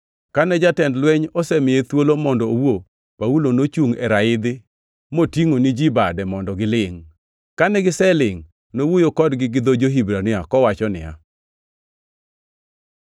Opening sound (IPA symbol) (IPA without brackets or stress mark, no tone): k